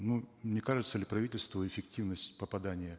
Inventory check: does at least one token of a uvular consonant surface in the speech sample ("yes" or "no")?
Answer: no